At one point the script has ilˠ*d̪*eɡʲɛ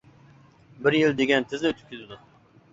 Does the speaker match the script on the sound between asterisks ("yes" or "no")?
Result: yes